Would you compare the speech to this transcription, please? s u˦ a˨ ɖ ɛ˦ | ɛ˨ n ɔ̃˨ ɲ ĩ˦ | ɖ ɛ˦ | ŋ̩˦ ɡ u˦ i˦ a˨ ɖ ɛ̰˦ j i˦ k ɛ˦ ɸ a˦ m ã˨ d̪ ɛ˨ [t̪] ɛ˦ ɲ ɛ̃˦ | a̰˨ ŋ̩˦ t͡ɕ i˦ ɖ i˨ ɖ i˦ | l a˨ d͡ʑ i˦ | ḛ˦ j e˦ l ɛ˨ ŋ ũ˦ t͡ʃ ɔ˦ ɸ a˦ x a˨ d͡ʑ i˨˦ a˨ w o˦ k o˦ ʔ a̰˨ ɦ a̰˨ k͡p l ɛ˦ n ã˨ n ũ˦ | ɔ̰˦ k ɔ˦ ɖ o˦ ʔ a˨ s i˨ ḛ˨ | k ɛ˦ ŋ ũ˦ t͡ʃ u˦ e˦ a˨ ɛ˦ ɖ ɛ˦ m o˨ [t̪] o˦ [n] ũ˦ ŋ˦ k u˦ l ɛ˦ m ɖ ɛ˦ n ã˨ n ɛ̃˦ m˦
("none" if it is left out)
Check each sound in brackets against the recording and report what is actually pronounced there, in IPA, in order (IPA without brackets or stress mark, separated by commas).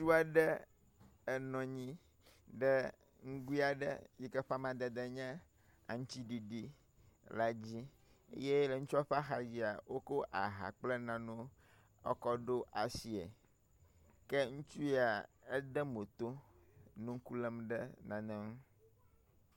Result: d̪, t̪, n